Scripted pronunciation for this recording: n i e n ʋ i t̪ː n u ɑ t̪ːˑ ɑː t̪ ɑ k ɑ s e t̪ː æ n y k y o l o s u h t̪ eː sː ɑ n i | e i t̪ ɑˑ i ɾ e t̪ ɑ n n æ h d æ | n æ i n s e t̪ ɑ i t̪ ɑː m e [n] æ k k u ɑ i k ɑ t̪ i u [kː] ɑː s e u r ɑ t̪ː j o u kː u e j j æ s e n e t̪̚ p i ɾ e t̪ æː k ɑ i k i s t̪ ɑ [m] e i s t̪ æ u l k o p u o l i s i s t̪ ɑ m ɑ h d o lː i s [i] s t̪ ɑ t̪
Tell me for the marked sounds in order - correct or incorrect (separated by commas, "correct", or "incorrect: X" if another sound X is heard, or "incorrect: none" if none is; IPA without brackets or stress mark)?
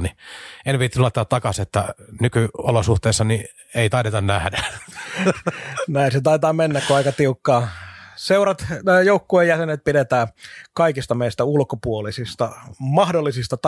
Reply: incorrect: nː, correct, correct, correct